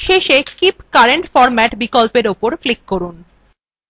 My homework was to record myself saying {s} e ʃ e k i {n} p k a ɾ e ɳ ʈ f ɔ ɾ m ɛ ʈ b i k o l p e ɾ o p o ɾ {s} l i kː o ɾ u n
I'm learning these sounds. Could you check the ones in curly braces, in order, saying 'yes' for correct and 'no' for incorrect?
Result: no, no, no

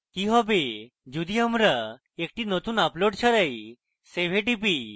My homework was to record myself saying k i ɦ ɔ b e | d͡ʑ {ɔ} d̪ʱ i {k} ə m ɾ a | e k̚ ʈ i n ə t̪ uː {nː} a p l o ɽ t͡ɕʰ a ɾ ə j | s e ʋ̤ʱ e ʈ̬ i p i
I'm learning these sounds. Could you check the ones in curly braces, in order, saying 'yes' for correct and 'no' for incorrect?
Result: no, no, no

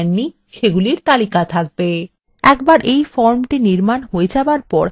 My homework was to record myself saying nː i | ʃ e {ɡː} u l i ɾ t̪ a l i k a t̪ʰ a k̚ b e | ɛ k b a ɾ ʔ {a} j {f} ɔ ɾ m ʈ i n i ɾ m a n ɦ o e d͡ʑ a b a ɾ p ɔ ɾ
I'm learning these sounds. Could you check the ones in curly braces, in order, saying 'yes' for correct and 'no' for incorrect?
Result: no, no, yes

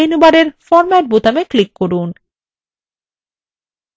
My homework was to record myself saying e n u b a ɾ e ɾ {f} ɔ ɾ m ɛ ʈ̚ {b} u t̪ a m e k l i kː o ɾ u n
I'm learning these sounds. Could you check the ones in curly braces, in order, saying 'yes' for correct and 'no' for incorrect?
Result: yes, yes

